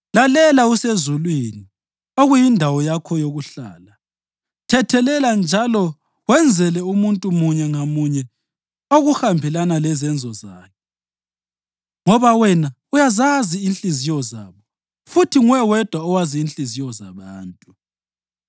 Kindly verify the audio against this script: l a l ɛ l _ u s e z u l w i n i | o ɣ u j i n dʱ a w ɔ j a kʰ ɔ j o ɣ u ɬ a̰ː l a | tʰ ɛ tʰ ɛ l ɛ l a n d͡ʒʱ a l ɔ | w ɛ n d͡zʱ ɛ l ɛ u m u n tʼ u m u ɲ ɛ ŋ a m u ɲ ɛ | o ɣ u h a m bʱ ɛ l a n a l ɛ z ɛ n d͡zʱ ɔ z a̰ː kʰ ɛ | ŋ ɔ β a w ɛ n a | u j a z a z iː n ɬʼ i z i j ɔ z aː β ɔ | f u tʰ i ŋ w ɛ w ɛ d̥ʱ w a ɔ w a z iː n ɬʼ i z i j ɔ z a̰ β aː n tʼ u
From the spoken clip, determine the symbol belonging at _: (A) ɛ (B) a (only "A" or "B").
B